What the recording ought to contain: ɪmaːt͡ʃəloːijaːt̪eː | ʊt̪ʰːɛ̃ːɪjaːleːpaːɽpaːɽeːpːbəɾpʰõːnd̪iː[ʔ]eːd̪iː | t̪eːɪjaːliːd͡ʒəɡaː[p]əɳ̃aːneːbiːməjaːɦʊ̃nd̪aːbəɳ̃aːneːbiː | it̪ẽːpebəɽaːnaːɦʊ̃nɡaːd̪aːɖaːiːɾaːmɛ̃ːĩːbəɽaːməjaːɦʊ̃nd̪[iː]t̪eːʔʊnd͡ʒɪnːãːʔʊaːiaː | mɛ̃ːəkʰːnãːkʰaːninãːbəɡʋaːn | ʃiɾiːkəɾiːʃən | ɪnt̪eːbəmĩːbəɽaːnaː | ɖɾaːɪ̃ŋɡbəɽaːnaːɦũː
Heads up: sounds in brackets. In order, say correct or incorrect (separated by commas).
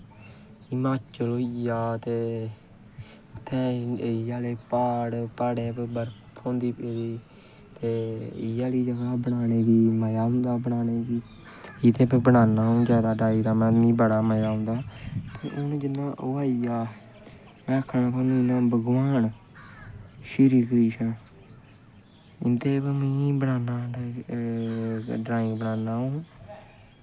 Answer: incorrect, incorrect, incorrect